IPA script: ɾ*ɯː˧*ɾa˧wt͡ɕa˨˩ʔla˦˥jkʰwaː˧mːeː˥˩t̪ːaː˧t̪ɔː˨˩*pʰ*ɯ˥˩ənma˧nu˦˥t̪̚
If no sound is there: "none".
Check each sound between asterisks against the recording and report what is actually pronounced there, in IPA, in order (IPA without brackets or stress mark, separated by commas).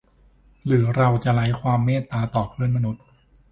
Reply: ɯː˩˦, pʰ